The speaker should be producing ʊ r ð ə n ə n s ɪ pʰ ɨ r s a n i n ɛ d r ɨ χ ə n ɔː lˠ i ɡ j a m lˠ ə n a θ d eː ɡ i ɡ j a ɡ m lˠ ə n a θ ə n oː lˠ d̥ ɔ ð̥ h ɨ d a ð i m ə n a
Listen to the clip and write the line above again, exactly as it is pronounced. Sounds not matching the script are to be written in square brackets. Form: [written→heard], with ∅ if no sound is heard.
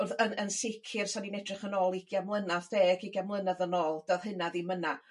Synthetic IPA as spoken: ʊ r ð ə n ə n s ɪ [pʰ→kʰ] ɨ r s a n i n ɛ d r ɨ χ ə n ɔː lˠ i ɡ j a m lˠ ə n a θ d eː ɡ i ɡ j a [ɡ→∅] m lˠ ə n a [θ→ð] ə n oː lˠ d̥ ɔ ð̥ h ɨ [d→n] a ð i m ə n a